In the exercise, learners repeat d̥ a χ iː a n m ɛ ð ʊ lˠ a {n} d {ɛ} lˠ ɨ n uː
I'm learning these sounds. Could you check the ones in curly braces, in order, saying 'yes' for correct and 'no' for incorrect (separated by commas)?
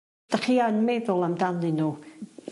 no, no